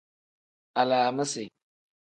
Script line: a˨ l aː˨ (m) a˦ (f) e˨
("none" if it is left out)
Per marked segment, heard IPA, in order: m, s

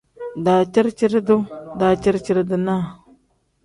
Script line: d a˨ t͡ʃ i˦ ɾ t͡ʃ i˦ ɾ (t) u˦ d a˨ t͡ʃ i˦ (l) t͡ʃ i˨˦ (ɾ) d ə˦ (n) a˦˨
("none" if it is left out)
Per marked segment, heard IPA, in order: d, ɾ, ɾ, n

